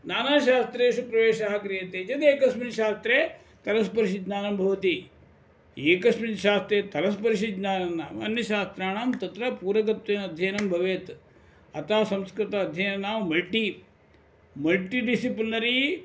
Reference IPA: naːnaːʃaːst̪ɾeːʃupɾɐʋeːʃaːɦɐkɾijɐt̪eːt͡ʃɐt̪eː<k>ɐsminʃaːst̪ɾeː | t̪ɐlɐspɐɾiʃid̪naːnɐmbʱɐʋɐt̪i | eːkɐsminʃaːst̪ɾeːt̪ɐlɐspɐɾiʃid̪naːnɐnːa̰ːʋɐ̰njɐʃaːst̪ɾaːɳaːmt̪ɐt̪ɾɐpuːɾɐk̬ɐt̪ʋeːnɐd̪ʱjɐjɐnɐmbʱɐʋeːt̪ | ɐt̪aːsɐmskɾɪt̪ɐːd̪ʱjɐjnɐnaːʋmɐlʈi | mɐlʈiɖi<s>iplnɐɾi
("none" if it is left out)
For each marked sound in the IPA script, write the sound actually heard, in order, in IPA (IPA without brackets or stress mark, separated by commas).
k, s